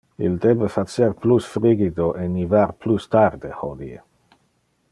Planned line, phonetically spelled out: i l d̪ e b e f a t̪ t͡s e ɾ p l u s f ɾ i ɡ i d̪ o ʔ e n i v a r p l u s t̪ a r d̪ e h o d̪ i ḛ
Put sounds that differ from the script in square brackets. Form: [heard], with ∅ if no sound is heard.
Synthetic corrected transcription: i l d̪ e b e f a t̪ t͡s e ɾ p l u s f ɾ i ɡ i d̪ o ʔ e n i v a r p l u s t̪ a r d̪ e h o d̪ i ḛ